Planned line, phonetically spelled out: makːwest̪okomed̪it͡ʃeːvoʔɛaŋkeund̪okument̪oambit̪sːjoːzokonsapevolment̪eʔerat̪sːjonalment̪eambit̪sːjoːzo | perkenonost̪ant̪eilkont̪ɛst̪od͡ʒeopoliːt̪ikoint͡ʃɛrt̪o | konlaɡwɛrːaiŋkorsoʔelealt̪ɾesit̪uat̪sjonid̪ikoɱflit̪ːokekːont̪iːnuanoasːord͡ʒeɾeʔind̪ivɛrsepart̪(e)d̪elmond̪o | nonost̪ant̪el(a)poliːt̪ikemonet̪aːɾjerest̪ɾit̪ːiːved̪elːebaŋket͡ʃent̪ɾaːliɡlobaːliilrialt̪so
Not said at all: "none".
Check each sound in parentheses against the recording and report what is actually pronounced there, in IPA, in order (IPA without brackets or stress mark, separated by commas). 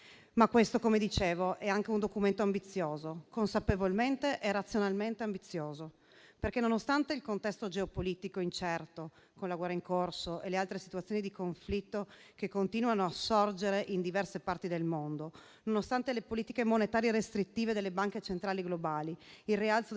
i, e